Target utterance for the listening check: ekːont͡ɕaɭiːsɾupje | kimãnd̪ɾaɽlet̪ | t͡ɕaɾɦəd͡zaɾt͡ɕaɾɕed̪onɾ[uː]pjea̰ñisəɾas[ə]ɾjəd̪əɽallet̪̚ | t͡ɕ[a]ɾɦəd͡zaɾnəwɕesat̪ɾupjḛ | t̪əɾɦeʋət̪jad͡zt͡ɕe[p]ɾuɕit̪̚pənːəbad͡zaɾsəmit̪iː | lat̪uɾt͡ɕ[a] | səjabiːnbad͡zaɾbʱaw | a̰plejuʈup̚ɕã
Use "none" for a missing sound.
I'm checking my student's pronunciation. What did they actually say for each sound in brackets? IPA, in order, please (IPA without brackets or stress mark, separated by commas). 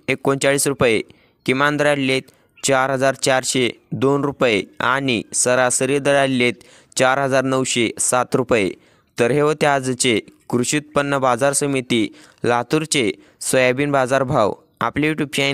u, ə, a, k, e